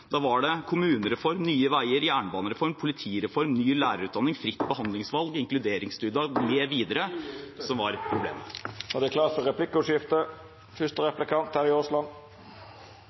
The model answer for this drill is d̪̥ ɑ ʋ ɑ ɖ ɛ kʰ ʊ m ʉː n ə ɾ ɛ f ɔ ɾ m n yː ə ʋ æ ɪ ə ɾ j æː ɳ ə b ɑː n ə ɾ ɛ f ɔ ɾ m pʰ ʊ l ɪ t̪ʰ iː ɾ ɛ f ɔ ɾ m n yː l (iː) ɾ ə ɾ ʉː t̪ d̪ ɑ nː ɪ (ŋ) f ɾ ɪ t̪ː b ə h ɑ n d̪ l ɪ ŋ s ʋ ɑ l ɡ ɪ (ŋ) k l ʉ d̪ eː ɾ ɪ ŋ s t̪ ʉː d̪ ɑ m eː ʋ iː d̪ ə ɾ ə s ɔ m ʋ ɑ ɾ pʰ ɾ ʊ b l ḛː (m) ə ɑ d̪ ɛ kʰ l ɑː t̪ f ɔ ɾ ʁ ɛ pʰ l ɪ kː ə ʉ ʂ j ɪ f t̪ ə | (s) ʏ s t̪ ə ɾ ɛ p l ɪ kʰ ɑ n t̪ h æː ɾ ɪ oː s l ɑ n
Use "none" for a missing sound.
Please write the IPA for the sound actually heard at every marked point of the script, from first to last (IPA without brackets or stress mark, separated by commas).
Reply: æː, ŋ, ŋ, m, f